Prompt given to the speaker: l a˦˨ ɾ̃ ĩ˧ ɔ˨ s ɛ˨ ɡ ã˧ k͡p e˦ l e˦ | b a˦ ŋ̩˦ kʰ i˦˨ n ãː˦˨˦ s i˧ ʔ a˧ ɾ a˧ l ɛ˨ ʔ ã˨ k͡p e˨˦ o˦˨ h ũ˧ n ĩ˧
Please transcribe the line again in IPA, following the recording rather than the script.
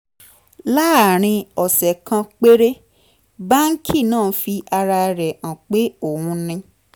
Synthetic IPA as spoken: l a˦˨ ɾ̃ ĩ˧ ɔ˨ s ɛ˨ k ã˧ k͡p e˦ ɾ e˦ | b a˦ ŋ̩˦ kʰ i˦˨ n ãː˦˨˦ f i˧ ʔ a˧ ɾ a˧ ɾ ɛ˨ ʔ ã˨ k͡p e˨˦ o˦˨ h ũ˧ n ĩ˧

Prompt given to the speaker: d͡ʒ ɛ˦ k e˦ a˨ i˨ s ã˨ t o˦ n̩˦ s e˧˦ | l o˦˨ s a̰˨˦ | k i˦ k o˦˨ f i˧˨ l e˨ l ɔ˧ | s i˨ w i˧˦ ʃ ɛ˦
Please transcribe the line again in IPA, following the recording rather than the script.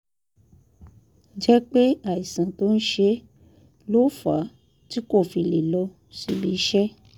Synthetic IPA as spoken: d͡ʒ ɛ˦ k͡p e˦ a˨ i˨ s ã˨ t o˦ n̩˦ ʃ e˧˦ | l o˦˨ f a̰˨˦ | t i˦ k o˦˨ f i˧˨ l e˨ l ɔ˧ | s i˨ b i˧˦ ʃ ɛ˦

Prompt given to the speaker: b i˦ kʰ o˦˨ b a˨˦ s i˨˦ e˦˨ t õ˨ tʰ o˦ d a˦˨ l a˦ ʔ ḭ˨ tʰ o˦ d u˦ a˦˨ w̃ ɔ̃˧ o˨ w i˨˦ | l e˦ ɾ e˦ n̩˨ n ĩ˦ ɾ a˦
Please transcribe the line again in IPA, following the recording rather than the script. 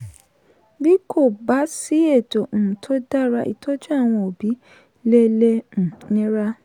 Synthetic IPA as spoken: b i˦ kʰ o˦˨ b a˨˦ s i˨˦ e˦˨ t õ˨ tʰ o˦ d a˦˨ ɾ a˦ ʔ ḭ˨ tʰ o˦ d͡ʒ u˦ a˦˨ w̃ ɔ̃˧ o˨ b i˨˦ | l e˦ l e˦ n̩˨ n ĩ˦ ɾ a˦

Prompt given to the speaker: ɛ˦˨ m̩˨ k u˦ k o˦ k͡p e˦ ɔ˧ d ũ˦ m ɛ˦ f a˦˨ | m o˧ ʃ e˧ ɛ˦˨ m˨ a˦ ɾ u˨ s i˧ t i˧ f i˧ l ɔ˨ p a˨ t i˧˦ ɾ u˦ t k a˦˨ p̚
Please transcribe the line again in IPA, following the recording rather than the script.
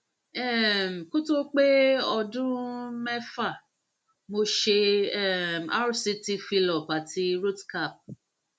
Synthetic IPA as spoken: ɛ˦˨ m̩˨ k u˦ t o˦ k͡p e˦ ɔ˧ d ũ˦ m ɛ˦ f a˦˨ | m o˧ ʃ e˧ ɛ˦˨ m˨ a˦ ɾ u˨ s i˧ t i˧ f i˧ l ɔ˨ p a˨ t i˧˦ ɾ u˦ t k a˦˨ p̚

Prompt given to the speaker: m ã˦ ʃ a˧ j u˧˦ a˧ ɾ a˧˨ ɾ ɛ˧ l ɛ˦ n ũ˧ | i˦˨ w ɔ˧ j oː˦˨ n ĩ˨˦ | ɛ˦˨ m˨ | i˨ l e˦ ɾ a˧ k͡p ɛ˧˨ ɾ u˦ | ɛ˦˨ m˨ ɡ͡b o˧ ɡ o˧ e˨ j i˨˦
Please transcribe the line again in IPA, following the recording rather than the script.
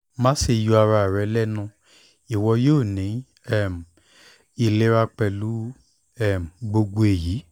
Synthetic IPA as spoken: m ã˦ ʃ e˧ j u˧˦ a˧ ɾ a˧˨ ɾ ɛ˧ l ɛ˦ n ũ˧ | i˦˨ w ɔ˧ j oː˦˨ n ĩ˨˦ | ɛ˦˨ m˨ | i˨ l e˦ ɾ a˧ k͡p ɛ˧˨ l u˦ | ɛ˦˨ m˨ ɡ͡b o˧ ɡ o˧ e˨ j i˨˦

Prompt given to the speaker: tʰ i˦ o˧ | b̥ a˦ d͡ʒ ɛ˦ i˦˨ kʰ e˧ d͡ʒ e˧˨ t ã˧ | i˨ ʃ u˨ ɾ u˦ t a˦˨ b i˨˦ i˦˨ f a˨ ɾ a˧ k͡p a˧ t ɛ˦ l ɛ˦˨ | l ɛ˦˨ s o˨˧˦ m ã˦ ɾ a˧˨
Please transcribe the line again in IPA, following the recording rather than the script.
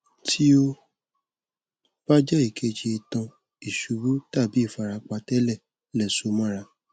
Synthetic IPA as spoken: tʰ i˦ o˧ | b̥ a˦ d͡ʒ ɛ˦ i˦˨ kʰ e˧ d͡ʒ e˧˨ t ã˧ | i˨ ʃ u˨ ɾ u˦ t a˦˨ b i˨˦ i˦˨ f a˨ ɾ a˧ k͡p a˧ t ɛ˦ l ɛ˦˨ | l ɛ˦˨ s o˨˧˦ m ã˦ ɾ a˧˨

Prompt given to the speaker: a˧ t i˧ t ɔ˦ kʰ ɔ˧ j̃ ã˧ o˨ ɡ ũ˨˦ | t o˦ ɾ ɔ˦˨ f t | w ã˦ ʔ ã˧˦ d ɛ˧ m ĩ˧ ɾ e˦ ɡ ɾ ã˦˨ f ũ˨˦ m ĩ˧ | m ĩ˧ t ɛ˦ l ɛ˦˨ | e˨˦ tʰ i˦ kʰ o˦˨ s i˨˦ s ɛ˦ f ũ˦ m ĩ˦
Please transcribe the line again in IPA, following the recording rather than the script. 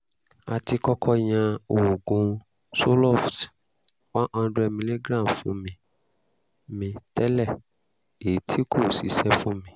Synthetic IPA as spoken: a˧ t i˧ k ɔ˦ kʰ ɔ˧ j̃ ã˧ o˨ ɡ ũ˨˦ | s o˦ l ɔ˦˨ f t | w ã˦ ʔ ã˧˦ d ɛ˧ m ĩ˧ l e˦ ɡ ɾ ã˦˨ f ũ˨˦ m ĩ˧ | m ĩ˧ t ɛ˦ l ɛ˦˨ | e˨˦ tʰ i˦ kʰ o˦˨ s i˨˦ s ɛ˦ f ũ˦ m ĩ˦

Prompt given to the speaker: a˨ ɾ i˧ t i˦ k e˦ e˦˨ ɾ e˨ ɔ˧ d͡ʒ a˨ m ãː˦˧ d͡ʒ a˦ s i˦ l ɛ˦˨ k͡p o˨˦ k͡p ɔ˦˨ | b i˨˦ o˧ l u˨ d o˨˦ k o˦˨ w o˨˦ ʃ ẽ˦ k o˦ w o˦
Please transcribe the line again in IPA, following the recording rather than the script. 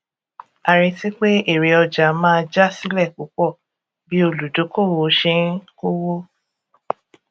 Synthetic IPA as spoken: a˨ ɾ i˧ t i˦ k͡p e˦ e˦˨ ɾ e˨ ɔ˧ d͡ʒ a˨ m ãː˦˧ d͡ʒ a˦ s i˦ l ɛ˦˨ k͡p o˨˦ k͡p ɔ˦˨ | b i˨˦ o˧ l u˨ d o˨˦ k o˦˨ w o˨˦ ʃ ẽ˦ k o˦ w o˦

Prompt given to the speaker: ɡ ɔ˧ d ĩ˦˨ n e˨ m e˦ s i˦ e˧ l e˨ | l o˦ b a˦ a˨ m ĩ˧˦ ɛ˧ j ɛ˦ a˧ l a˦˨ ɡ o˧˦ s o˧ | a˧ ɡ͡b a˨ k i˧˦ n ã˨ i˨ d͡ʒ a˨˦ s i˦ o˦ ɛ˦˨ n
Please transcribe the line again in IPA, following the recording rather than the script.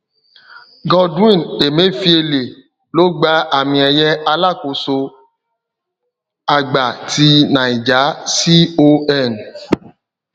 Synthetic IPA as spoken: ɡ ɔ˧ d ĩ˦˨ n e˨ m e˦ f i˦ e˧ l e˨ | l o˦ ɡ͡b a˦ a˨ m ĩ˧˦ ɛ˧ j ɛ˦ a˧ l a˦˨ k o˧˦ s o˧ | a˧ ɡ͡b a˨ t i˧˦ n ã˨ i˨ d͡ʒ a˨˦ s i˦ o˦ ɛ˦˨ n

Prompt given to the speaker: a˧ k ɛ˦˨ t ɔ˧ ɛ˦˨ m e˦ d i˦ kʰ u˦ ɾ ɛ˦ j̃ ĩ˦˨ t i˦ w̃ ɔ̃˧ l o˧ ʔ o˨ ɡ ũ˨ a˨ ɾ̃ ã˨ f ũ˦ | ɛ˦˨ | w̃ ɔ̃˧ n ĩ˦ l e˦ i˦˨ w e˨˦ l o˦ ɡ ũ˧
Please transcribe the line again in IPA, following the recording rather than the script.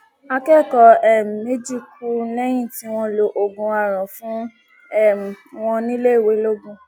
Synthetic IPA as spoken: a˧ k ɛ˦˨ k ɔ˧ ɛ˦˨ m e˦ d͡ʒ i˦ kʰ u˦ l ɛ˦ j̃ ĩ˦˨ t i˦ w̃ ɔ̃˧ l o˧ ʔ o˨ ɡ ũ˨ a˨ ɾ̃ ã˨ f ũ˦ | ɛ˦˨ | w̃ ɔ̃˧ n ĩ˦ l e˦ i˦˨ w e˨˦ l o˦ ɡ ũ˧

